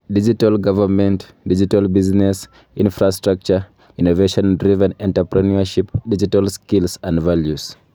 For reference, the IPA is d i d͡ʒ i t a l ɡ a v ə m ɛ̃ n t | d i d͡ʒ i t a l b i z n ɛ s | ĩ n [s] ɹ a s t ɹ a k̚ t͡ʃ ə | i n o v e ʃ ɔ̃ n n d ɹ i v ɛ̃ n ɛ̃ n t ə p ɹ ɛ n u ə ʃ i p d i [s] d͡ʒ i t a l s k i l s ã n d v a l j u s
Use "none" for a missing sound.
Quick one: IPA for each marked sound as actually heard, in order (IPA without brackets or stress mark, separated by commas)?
f, none